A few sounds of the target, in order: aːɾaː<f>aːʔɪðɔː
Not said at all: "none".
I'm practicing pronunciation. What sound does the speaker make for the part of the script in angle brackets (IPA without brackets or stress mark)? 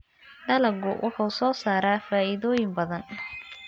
f